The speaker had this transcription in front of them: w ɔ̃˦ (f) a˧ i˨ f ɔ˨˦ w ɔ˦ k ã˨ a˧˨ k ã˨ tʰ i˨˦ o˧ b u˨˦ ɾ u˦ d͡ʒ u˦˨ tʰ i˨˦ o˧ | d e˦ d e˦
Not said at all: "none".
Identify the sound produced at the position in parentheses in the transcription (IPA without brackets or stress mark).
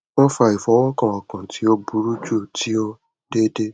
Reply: f